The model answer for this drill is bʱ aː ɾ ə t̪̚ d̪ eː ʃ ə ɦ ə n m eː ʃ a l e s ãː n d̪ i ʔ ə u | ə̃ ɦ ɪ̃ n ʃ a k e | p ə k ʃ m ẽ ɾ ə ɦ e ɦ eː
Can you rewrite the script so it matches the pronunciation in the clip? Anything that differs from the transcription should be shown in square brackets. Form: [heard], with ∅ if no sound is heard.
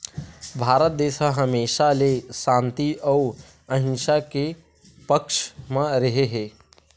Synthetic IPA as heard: bʱ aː ɾ ə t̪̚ d̪ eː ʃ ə ɦ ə [∅] m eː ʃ a l e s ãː n [t̪] i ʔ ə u | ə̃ ɦ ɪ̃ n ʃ a k e | p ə k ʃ m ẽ ɾ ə ɦ e ɦ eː